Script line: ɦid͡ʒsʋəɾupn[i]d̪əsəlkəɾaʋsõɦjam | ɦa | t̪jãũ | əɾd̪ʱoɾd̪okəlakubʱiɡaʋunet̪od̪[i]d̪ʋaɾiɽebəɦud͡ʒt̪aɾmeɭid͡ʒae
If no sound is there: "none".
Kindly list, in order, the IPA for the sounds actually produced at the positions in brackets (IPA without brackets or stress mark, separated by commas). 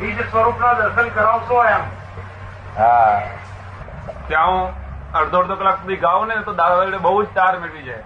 a, a